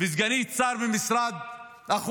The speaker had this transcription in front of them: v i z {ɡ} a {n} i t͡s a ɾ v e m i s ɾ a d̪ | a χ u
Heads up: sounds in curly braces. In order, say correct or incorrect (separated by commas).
correct, correct